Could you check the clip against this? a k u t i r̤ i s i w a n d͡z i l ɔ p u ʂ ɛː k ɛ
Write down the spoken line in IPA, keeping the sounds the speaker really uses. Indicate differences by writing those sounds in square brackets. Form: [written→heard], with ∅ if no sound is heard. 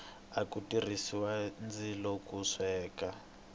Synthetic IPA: a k u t i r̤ i s i w a n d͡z i l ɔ [p→k] u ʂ ɛː k [ɛ→a]